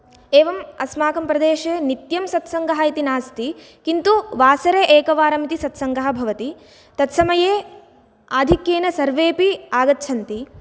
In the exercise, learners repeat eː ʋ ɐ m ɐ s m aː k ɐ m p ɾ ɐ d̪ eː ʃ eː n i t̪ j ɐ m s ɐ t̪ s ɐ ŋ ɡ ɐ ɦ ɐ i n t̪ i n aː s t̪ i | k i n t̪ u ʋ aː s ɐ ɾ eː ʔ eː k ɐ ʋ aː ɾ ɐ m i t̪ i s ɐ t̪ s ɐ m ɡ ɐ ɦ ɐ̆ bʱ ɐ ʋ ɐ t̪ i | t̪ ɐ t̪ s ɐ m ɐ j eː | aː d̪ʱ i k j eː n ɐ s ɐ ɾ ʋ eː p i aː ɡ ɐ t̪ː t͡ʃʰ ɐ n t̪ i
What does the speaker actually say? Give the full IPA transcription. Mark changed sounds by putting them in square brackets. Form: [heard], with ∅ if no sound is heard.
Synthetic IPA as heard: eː ʋ ɐ m ɐ s m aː k ɐ m p ɾ ɐ d̪ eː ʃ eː n i t̪ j ɐ m s ɐ t̪ s ɐ ŋ ɡ ɐ ɦ ɐ i [∅] t̪ i n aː s t̪ i | k i n t̪ u ʋ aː s ɐ ɾ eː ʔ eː k ɐ ʋ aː ɾ ɐ m i t̪ i s ɐ t̪ s ɐ [ŋ] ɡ ɐ ɦ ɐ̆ bʱ ɐ ʋ ɐ t̪ i | t̪ ɐ t̪ s ɐ m ɐ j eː | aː d̪ʱ i k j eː n ɐ s ɐ ɾ ʋ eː p i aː ɡ ɐ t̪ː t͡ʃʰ ɐ n t̪ i